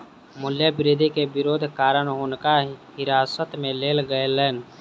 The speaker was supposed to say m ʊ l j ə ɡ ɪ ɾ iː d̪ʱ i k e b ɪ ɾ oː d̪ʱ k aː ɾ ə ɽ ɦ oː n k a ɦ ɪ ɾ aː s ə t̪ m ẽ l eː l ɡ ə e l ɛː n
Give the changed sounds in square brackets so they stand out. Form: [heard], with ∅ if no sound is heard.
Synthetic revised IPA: m ʊ l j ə [b] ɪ ɾ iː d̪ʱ i k e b ɪ ɾ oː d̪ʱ k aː ɾ ə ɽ ɦ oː n k a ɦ ɪ ɾ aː s ə t̪ m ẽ l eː l ɡ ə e l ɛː n